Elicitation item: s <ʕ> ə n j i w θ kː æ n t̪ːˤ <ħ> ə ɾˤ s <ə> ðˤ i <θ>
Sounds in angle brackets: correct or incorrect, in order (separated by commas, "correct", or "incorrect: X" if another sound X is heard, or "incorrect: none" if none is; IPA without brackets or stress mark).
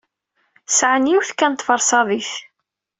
correct, incorrect: f, incorrect: ɑ, correct